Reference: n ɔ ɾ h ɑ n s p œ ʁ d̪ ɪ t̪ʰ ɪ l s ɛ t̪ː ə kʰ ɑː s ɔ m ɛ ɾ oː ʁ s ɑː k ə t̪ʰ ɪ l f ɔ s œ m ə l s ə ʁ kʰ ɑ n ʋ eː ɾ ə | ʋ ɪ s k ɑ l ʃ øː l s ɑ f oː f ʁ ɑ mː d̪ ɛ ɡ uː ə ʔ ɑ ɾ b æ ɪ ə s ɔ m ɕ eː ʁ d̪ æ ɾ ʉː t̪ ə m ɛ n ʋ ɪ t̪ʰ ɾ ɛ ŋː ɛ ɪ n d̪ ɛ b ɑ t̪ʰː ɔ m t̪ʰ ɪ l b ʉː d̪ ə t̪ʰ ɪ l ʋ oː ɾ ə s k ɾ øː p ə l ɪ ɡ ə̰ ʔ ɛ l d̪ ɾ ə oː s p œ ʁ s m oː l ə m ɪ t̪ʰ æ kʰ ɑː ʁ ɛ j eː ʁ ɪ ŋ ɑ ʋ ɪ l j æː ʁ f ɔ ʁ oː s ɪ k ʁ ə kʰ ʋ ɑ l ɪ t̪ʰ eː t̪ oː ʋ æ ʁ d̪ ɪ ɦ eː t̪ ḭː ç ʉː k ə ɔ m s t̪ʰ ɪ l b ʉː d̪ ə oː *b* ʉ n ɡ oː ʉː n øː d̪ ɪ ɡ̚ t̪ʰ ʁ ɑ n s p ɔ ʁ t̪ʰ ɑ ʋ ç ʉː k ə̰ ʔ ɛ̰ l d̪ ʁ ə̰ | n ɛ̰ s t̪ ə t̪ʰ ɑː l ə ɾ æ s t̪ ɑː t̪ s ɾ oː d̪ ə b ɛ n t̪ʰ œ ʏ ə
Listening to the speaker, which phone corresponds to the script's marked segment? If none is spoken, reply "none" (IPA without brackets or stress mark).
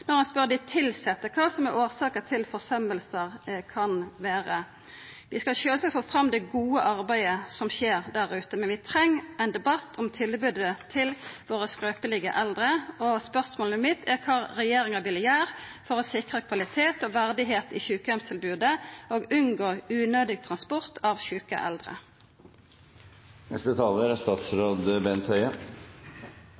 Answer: ɡ